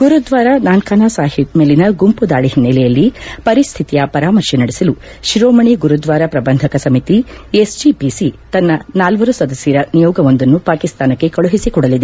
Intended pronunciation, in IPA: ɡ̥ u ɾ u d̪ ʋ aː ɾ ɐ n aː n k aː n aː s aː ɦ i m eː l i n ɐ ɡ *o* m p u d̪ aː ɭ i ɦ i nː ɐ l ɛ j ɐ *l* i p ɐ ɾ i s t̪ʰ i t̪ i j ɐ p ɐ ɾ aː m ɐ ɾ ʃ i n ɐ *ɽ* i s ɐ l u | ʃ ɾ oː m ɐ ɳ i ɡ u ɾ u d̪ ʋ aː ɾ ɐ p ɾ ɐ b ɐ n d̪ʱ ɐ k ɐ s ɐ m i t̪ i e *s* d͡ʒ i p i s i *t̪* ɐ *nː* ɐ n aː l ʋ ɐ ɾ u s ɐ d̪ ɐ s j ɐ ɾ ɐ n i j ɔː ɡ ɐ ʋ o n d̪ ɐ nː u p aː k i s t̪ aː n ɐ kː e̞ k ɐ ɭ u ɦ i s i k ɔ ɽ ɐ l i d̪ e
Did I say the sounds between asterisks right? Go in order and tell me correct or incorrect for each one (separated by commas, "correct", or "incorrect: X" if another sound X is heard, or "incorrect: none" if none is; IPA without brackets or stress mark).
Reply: incorrect: u, incorrect: lː, correct, correct, correct, correct